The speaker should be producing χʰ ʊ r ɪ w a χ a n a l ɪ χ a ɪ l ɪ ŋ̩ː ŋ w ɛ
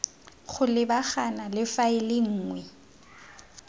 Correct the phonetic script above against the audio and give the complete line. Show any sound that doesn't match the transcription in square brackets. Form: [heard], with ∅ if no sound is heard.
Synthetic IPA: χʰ ʊ [l] ɪ [b] a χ a n a l ɪ [f] a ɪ l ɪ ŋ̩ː ŋ w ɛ